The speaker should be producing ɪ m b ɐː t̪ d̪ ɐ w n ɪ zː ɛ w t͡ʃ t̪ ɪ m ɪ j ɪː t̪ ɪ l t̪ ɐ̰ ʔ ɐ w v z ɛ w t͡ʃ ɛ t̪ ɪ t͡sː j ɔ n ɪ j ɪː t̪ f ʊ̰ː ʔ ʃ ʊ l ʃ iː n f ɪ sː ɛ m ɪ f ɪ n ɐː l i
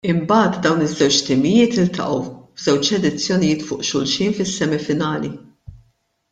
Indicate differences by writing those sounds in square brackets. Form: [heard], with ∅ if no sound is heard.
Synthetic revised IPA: ɪ m b ɐː t̪ d̪ ɐ w n ɪ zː ɛ w t͡ʃ t̪ ɪ m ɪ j ɪː t̪ ɪ l t̪ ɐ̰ ʔ ɐ w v z ɛ w t͡ʃ ɛ [d̪] ɪ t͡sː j ɔ n ɪ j ɪː t̪ f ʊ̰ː ʔ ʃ ʊ l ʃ iː n f ɪ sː ɛ m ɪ f ɪ n ɐː l i